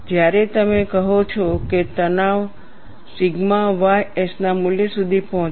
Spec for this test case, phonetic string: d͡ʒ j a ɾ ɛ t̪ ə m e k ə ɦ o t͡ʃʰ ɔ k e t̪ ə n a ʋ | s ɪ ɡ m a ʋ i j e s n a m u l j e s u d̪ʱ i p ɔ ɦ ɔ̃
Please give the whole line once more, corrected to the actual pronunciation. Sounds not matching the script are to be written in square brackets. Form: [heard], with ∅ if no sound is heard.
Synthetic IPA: d͡ʒ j a ɾ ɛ t̪ ə m e k ə ɦ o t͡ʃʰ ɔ k e t̪ ə n a ʋ | s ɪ ɡ m a ʋ [a] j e s n a m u l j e s u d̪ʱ i p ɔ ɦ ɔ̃